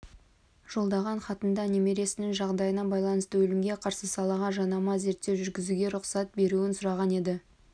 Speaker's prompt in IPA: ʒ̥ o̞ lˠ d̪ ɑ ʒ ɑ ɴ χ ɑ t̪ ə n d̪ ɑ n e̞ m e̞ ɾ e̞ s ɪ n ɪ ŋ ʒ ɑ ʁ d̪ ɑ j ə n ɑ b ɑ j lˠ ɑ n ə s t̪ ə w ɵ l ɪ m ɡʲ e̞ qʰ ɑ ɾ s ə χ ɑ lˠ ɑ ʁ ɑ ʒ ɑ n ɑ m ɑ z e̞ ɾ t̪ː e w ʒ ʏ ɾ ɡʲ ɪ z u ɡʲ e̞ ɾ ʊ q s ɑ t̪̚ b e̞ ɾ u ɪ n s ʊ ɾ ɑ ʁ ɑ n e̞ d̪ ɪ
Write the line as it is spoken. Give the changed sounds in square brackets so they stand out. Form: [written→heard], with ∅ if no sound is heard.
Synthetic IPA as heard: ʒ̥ o̞ lˠ d̪ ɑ [ʒ→ʁ] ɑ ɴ χ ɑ t̪ ə n d̪ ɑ n e̞ m e̞ ɾ e̞ s ɪ n ɪ ŋ ʒ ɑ ʁ d̪ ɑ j ə n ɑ b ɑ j lˠ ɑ n ə s t̪ ə w ɵ l ɪ m ɡʲ e̞ qʰ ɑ ɾ s ə [χ→s] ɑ lˠ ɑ ʁ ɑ ʒ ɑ n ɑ m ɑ z e̞ ɾ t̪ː e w ʒ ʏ ɾ ɡʲ ɪ z u ɡʲ e̞ ɾ ʊ q s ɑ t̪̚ b e̞ ɾ u ɪ n s ʊ ɾ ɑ ʁ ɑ n e̞ d̪ ɪ